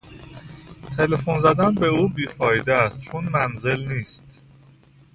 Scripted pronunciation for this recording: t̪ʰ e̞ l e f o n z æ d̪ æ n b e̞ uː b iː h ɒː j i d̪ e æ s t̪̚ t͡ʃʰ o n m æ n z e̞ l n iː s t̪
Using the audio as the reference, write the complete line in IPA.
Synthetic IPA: t̪ʰ e̞ l e f o n z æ d̪ æ n b e̞ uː b iː f ɒː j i d̪ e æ s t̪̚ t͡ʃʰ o n m æ n z e̞ l n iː s t̪